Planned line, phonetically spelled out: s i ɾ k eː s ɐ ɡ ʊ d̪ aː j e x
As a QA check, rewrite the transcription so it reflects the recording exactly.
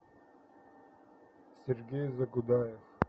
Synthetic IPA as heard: s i ɾ ɡ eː z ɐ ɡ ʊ d̪ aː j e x

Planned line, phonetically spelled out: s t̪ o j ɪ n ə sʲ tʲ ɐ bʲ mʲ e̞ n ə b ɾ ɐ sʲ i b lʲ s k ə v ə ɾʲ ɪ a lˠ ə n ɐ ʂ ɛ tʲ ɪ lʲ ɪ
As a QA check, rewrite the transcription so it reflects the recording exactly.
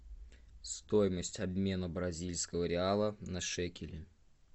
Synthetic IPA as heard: s t̪ o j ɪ m ə sʲ tʲ ɐ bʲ mʲ e̞ n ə b ɾ ɐ zʲ i lʲ s k ə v ə ɾʲ ɪ a lˠ ə n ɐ ʂ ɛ kʲ ɪ lʲ ɪ

